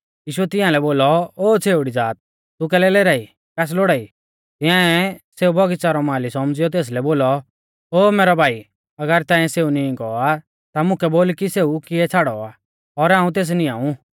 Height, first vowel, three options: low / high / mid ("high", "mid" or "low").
high